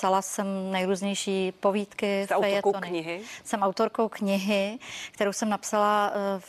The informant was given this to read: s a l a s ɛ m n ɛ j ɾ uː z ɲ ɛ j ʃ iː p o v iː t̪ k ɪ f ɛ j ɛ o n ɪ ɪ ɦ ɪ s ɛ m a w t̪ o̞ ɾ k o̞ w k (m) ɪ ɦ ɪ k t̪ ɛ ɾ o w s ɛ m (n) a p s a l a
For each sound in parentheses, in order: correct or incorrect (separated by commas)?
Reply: incorrect, correct